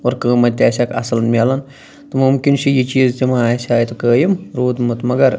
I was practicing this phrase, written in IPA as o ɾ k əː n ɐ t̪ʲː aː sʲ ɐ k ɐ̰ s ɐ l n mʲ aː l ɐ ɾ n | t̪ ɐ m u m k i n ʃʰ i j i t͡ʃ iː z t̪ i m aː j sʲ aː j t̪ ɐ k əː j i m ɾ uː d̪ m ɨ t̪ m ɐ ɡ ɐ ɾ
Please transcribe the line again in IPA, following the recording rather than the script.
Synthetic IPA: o ɾ k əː m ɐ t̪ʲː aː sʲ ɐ k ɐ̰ s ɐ l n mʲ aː l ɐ n | t̪ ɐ m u m k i n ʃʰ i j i t͡ʃ iː z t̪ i m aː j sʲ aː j t̪ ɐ k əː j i m ɾ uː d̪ m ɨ t̪ m ɐ ɡ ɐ ɾ